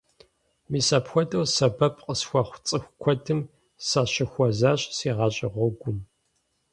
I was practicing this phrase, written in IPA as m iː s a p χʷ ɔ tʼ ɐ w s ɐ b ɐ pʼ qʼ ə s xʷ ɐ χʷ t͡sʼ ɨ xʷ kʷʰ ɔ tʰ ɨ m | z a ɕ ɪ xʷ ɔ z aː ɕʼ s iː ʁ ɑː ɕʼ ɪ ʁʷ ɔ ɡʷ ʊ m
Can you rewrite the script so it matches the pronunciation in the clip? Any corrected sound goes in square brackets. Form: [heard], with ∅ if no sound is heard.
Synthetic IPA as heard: m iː s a p [xʷ] ɔ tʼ ɐ w s ɐ b ɐ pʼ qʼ ə s xʷ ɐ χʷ t͡sʼ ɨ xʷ kʷʰ ɔ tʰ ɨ m | [s] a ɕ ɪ xʷ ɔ z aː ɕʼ s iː ʁ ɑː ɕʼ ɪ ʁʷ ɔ ɡʷ ʊ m